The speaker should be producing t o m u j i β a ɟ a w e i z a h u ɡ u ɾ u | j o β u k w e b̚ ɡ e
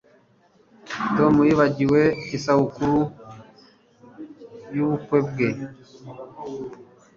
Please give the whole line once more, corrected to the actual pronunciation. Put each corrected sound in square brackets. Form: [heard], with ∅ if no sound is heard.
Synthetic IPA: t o m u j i β a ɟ [i] w e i [s] a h u [k] u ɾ u | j [u] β u k w e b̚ ɡ e

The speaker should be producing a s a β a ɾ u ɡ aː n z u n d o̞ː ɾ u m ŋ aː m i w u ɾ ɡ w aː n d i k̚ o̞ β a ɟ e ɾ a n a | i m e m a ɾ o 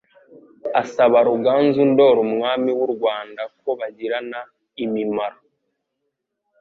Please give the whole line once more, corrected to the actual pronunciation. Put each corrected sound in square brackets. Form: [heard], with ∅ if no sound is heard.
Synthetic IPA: a s a β a ɾ u ɡ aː n z u n d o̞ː ɾ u m ŋ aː m i w u ɾ ɡ w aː n d [a] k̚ o̞ β a ɟ [i] ɾ a n a | i m [i] m a ɾ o

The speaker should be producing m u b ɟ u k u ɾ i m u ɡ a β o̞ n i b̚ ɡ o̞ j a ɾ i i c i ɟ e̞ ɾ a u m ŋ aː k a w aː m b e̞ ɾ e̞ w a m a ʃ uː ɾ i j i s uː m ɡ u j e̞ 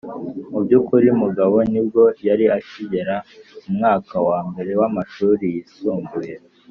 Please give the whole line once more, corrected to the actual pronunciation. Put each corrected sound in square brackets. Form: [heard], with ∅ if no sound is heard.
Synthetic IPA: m u b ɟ u k u ɾ i m u ɡ a β o̞ n i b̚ ɡ o̞ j a ɾ i [a] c i ɟ e̞ ɾ a u m ŋ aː k a w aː m b e̞ ɾ e̞ w a m a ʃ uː ɾ i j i s uː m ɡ u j e̞

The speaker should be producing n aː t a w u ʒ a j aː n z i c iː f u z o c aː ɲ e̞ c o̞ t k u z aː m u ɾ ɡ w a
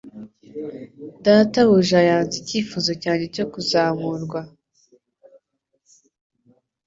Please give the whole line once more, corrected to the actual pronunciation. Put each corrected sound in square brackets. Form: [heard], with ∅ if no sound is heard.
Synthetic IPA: [d] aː t a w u ʒ a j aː n z i c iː f u z o c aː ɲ e̞ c o̞ [∅] k u z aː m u ɾ ɡ w a

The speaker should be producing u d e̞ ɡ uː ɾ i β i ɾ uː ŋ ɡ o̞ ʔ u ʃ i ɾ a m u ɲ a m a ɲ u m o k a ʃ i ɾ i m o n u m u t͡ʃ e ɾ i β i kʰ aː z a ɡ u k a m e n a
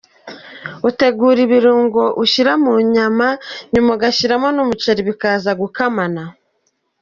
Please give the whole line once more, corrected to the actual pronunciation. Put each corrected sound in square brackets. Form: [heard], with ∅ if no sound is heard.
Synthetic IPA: u [t] e̞ ɡ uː ɾ i β i ɾ uː ŋ ɡ o̞ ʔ u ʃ i ɾ a m u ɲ a m a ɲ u m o [ɡ] a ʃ i ɾ [a] m o n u m u t͡ʃ e ɾ i β i [k] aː z a ɡ u k a m [a] n a

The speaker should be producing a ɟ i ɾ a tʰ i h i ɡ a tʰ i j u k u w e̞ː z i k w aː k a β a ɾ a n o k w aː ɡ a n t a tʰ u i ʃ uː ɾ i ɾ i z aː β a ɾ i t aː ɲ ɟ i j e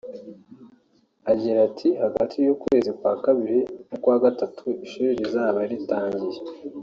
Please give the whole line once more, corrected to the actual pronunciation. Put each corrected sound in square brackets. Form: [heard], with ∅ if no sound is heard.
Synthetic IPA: a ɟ i ɾ a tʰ i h [a] ɡ a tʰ i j u k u w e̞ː z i k w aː k a β [i] ɾ [i] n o k w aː ɡ a [∅] t a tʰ u i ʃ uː ɾ i ɾ i z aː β a ɾ i t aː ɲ ɟ i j e

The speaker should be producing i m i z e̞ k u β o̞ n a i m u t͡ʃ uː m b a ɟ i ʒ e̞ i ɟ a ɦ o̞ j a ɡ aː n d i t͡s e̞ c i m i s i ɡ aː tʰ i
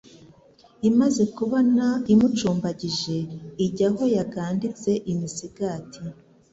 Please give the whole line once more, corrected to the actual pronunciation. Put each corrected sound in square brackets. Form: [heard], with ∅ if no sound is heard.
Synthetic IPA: i m [a] z e̞ k u β o̞ n a i m u t͡ʃ uː m b a ɟ i ʒ e̞ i ɟ a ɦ o̞ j a ɡ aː n d i t͡s e̞ [ʔ] i m i s i ɡ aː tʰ i

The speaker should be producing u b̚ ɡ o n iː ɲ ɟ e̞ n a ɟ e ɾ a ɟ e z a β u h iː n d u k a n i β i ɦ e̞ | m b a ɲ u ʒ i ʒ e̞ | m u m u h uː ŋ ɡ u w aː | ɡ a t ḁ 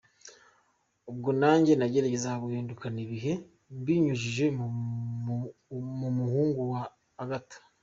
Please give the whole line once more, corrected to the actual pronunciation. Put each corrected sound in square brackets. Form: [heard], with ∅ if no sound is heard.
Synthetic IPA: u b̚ ɡ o n [aː] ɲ ɟ e̞ n a ɟ e ɾ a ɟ e z a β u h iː n d u k a n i β i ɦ e̞ | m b [i] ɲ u ʒ i ʒ e̞ | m u m u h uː ŋ ɡ u w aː | ɡ a t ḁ

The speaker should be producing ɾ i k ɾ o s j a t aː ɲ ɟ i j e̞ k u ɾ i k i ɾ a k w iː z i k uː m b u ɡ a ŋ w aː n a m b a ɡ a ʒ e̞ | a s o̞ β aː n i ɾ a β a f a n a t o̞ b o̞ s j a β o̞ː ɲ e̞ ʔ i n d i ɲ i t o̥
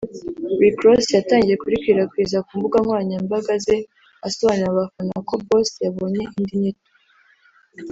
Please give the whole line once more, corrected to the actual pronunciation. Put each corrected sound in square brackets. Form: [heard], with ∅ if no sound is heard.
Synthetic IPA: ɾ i k ɾ o s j a t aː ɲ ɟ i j e̞ k u ɾ i k i ɾ a k w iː z [a] k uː m b u ɡ a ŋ w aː [ɲ] a m b a ɡ a [z] e̞ | a s o̞ β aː n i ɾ a β a f a n a [k] o̞ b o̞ s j a β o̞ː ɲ e̞ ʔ i n d i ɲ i t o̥

